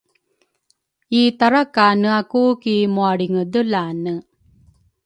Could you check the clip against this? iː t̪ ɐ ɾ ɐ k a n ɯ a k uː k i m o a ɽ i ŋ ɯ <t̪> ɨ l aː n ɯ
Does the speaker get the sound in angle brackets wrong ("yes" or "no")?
yes